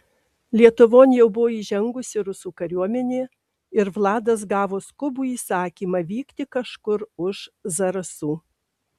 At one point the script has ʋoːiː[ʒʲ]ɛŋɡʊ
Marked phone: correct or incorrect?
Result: correct